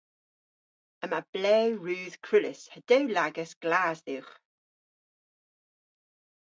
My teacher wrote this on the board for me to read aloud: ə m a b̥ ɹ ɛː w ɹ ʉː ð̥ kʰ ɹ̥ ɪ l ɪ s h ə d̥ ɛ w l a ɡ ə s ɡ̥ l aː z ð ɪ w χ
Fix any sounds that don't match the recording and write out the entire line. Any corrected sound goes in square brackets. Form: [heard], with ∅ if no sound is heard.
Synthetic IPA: ə m a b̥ [l] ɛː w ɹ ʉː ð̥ kʰ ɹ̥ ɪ l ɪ s h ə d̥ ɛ w l a ɡ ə s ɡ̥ l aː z ð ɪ w χ